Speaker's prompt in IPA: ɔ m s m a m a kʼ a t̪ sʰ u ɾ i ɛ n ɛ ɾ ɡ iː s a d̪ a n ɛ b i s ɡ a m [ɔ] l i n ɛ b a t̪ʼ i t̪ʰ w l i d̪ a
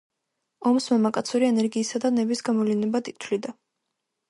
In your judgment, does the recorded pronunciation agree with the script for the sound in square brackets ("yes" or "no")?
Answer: yes